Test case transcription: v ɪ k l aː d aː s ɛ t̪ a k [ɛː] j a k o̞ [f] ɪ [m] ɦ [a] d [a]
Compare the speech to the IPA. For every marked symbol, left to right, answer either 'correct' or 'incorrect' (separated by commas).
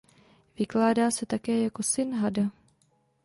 correct, incorrect, incorrect, correct, correct